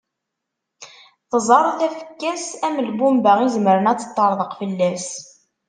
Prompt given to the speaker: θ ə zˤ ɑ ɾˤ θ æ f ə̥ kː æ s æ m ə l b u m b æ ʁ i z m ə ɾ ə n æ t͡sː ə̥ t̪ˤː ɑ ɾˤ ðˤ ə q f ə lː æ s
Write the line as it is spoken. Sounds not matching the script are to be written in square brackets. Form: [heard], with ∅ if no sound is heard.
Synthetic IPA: θ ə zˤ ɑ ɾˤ θ æ f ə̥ kː æ s æ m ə l b u m b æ ʁ i z m ə ɾ ə n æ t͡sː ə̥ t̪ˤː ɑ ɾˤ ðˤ ə q f ə lː æ s